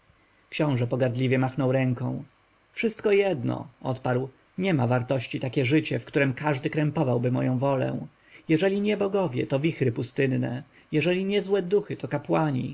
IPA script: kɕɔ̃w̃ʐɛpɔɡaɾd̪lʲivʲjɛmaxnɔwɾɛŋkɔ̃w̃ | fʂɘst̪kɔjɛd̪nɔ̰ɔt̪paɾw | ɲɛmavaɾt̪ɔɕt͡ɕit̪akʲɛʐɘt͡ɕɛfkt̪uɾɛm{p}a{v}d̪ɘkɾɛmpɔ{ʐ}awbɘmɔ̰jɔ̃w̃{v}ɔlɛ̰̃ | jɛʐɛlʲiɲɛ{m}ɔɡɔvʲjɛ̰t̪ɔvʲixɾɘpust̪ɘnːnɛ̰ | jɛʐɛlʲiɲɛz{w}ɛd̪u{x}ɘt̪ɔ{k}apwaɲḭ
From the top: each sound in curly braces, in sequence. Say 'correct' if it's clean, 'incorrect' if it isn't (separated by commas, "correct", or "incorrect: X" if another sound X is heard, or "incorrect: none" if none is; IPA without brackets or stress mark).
incorrect: k, incorrect: ʐ, incorrect: v, correct, incorrect: b, correct, correct, correct